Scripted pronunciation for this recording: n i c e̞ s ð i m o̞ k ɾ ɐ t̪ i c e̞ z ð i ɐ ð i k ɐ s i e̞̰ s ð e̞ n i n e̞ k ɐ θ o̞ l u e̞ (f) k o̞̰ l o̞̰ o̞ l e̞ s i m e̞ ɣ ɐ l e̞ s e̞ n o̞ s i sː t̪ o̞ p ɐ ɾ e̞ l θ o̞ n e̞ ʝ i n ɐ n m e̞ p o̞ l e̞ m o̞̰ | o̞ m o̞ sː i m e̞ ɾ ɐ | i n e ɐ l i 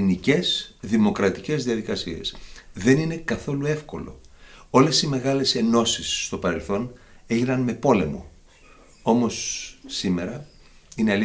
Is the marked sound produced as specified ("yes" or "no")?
yes